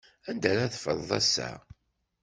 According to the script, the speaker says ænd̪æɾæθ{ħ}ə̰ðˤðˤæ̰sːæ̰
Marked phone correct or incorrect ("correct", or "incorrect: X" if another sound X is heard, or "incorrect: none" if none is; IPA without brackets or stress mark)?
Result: incorrect: f